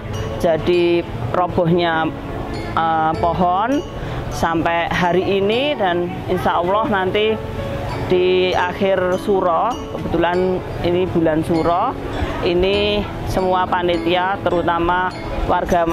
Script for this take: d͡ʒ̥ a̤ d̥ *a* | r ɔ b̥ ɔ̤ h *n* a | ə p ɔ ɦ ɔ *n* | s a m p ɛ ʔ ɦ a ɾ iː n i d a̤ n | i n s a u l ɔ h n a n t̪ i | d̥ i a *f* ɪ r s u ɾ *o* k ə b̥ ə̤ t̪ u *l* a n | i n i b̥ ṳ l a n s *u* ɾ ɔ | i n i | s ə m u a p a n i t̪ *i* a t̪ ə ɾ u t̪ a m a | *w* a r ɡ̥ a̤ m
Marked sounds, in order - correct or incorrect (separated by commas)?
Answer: incorrect, incorrect, correct, incorrect, incorrect, correct, correct, correct, correct